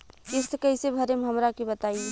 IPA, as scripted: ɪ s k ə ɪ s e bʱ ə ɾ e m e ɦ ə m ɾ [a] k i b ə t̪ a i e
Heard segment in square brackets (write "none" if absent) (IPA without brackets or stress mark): a